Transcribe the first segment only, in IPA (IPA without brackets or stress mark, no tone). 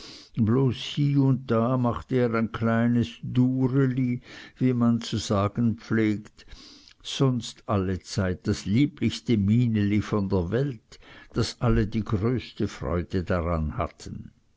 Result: b